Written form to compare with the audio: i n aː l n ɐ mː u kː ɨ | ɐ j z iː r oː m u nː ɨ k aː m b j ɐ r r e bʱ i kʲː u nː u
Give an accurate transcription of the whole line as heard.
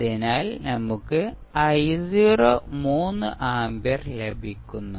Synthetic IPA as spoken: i n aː l n ɐ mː u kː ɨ | ɐ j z iː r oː m uː nː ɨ ʔ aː m b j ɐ r l e bʱ i kʲː u nː u